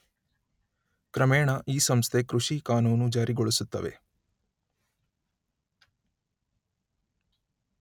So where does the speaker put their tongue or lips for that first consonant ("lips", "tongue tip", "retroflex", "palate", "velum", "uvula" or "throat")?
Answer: velum